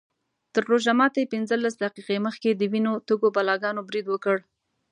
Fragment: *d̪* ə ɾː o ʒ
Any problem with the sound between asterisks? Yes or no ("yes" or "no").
yes